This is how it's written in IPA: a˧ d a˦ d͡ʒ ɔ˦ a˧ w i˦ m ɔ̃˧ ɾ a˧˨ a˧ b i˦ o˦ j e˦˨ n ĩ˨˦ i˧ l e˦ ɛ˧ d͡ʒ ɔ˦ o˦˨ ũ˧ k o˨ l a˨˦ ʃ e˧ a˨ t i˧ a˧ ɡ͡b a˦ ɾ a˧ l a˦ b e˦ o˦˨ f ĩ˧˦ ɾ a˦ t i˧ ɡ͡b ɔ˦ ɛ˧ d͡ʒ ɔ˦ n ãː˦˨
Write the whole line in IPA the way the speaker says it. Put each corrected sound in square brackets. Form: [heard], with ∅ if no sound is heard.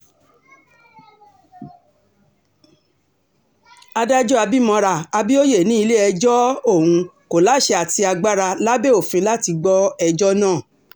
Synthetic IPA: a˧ d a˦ d͡ʒ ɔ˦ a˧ [b] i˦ m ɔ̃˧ ɾ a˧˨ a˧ b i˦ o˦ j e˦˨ n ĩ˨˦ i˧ l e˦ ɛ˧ d͡ʒ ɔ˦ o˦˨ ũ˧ k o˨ l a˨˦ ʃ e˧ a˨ t i˧ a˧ ɡ͡b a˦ ɾ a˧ l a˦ b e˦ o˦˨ f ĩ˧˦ [l] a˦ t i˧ ɡ͡b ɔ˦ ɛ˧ d͡ʒ ɔ˦ n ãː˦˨